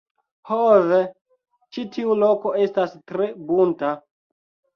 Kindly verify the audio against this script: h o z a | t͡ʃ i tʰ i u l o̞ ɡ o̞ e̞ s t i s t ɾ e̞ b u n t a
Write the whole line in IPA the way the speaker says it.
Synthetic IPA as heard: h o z e | t͡ʃ i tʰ i u l o̞ k o̞ e̞ s t a s t ɾ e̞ b u n t a

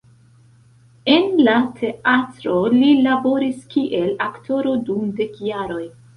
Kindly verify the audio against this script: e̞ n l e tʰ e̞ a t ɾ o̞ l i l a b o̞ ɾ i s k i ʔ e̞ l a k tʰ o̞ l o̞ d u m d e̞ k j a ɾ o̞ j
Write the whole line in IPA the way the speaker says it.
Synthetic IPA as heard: e̞ n l a tʰ e̞ a t ɾ o̞ l i l a b o̞ ɾ i s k i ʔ e̞ l a k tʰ o̞ ɾ o̞ d u m d e̞ k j a ɾ o̞ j

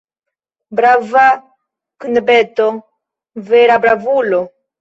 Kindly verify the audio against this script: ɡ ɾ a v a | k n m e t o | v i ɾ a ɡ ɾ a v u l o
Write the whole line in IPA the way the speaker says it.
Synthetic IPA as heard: b ɾ a v a | k n b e t o | v e ɾ a b ɾ a v u l o

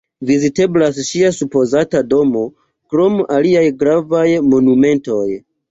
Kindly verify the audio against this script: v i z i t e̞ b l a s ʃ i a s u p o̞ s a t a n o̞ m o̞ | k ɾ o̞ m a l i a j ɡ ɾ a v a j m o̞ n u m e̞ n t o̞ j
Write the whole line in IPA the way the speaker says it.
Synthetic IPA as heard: v i z i t e̞ b l a s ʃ i a s u p o̞ z a t a d o̞ m o̞ | k ɾ o̞ m a l i a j ɡ ɾ a v a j m o̞ n u m e̞ n t o̞ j

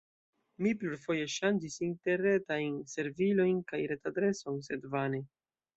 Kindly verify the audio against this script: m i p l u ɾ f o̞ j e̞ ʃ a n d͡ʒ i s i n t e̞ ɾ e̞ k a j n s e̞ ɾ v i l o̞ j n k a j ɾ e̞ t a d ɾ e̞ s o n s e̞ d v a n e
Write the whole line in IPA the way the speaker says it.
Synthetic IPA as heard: m i p l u ɾ f o̞ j e̞ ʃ a n d͡ʒ i s i n t e̞ ɾ e̞ t a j n s e̞ ɾ v i l o̞ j n k a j ɾ e̞ t a d ɾ e̞ s o n s e̞ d v a n e

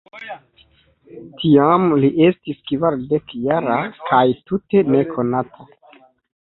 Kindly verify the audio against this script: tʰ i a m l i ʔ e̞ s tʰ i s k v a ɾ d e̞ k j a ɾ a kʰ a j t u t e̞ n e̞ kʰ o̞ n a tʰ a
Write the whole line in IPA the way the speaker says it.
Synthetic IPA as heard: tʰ i a m l i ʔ e̞ s t i s k v a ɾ d e̞ k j a ɾ a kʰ a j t u t e̞ n e̞ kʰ o̞ n a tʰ a

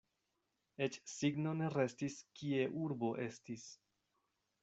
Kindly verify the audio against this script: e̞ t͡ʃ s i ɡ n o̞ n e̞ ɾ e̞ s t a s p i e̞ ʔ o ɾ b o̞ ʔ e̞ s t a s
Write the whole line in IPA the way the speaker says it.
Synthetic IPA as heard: e̞ t͡ʃ s i ɡ n o̞ n e̞ ɾ e̞ s t i s k i e̞ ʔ u ɾ b o̞ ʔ e̞ s t i s

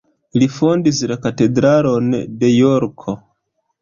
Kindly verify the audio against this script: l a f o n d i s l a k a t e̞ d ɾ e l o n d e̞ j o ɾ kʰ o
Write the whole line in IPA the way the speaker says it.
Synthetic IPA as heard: l i f o n d i s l a k a t e̞ d ɾ a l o n d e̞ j o ɾ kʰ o

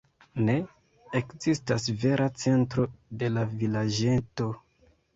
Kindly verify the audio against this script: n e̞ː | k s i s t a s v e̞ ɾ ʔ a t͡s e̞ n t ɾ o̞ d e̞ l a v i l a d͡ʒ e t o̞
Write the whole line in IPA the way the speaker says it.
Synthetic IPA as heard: n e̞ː | k z i s t a s v e̞ ɾ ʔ a t͡s e̞ n t ɾ o̞ d e̞ l a v i l a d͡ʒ e t o̞

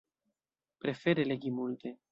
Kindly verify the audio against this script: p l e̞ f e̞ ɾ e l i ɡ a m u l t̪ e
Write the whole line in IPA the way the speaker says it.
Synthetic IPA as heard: p ɾ e̞ f e̞ ɾ e l e ɡ i m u l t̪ e

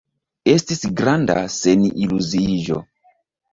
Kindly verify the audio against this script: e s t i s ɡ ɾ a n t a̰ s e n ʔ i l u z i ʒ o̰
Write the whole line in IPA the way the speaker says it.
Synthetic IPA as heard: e s t i s ɡ ɾ a n d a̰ s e n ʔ i l u z i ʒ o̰

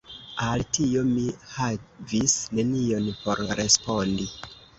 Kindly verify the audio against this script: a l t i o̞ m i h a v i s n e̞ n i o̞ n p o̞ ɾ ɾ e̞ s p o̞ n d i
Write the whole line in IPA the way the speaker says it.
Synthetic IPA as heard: a l t i o̞ m i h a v i s n e̞ n i o̞ n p o̞ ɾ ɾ e̞ s p o̞ n d i

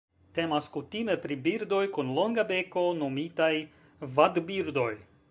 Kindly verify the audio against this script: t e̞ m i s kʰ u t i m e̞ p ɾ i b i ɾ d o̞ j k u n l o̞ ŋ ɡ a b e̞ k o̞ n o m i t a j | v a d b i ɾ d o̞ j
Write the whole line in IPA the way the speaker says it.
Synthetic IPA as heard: t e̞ m a s k u t i m e̞ p ɾ i b i ɾ d o̞ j k u n l o̞ ŋ ɡ a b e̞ k o̞ n o m i t a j | v a d b i ɾ d o̞ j

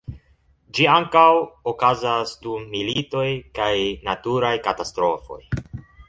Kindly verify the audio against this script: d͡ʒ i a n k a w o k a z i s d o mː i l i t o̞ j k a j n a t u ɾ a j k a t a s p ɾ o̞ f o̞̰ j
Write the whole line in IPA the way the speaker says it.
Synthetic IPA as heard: d͡ʒ i a ŋ k a w o k a z a s d u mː i l i t o̞ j k a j n a t u ɾ a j k a t a s t ɾ o̞ f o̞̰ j

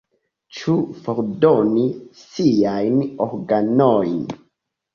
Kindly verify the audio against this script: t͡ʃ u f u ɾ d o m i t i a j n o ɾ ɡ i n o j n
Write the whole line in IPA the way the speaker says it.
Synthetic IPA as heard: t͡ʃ u f o ɾ d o n i s i a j n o ɾ ɡ a n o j n

